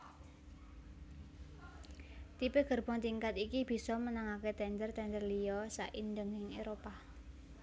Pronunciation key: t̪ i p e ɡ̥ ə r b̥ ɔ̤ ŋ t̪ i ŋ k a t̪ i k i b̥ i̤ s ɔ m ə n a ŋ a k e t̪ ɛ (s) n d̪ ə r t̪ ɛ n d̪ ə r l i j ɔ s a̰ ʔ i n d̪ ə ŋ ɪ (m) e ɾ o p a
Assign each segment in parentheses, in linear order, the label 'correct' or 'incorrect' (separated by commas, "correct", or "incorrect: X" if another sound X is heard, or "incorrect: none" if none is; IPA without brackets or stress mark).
incorrect: none, incorrect: ŋ